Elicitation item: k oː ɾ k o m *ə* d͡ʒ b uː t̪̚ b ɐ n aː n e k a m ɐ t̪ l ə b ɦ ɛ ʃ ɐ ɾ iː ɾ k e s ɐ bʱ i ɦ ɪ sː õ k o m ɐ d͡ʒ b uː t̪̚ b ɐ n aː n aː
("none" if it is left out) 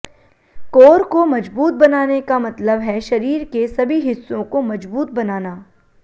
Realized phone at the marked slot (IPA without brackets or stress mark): ɐ